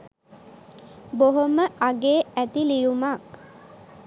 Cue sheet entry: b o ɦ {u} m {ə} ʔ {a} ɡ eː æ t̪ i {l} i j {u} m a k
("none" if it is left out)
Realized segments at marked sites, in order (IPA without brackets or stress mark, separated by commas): o, ə, a, l, u